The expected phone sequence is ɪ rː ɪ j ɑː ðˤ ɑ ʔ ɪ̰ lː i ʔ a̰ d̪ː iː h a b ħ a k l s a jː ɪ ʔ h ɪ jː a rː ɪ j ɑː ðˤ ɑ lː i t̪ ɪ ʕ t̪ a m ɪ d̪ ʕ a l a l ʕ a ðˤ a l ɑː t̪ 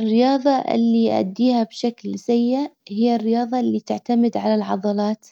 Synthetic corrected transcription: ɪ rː ɪ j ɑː ðˤ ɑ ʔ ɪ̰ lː i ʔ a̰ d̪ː iː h a b ʃ a k l s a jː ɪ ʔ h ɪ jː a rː ɪ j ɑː ðˤ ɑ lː i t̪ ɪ ʕ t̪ a m ɪ d̪ ʕ a l a l ʕ ɑ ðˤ ɑ l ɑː t̪

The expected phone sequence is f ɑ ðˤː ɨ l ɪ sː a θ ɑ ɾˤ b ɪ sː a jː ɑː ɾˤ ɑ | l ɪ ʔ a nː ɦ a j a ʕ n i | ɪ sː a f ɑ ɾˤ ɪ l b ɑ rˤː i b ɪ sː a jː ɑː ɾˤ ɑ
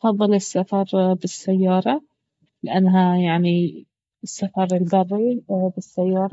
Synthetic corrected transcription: f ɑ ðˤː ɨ l ɪ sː a f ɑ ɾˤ b ɪ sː a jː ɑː ɾˤ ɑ | l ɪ ʔ a nː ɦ a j a ʕ n i | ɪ sː a f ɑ ɾˤ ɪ l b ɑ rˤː i b ɪ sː a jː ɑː ɾˤ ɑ

